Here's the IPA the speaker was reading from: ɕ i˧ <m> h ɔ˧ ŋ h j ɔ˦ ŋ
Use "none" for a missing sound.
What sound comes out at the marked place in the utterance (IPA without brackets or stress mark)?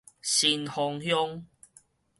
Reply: n